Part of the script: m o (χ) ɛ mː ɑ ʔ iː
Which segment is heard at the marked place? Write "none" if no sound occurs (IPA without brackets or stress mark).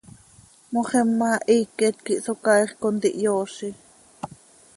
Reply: χ